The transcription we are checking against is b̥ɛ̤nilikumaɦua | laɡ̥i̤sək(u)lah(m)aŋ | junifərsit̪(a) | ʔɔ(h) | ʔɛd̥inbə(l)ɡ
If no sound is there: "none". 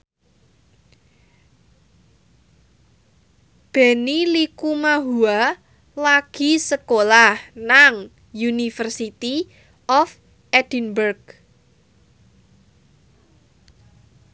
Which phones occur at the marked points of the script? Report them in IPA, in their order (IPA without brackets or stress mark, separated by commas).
o, n, i, f, r